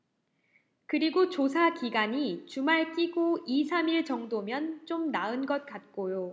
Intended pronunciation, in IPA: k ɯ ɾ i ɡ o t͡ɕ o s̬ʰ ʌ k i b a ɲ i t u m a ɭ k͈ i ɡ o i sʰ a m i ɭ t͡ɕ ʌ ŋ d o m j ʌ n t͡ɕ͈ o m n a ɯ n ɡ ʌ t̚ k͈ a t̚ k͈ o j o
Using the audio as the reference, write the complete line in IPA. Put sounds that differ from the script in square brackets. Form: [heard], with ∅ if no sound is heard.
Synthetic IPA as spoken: k ɯ ɾ i ɡ o t͡ɕ o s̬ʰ [a] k i [ɡ] a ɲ i [t͡ɕ] u m a ɭ k͈ i ɡ o i sʰ a m i ɭ t͡ɕ ʌ ŋ d o m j ʌ n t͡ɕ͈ o m n a ɯ n ɡ ʌ t̚ k͈ a t̚ k͈ o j o